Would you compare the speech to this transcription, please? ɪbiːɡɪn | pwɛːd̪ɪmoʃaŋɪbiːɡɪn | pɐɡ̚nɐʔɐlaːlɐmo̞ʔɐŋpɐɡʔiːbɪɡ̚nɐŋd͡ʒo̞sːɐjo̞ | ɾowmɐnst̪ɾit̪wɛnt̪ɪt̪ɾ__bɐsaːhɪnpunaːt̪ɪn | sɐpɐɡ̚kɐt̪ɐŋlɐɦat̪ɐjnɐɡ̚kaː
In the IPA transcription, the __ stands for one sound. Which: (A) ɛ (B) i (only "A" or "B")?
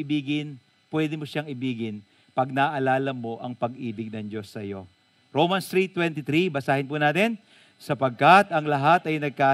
B